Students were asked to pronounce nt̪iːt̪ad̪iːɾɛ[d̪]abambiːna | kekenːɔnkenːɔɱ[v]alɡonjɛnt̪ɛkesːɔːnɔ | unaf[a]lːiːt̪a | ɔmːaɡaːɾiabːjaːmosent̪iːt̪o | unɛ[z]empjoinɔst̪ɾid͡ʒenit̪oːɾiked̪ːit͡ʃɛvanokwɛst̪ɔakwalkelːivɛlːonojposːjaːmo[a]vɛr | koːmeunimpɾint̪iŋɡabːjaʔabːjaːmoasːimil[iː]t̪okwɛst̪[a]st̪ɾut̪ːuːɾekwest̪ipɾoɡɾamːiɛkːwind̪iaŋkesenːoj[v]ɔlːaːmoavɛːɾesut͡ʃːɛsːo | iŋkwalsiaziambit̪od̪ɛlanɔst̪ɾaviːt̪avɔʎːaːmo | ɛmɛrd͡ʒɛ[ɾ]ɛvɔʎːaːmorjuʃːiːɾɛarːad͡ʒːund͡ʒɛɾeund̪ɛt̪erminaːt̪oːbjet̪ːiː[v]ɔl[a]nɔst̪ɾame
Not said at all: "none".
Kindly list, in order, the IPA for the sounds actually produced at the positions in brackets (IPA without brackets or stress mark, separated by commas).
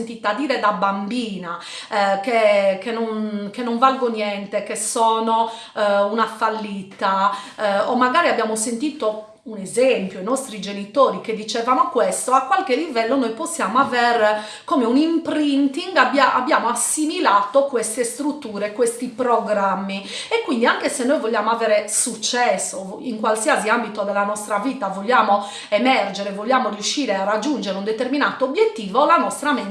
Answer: d̪, v, a, z, a, aː, e, v, ɾ, v, a